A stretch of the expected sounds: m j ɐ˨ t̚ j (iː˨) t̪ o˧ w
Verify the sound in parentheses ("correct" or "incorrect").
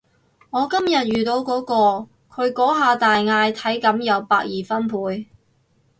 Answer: incorrect